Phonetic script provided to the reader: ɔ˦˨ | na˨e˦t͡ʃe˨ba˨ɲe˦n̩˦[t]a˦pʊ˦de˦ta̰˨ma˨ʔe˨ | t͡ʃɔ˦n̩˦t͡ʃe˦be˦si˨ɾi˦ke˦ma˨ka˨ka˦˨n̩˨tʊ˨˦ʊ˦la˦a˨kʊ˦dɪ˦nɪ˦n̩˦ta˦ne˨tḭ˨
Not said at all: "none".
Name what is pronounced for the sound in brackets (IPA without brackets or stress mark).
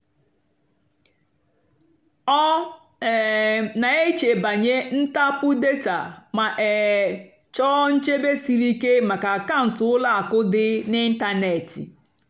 t